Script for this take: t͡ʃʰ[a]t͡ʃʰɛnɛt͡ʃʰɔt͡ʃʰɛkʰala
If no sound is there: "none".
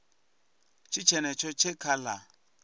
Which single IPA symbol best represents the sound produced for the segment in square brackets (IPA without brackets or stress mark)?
i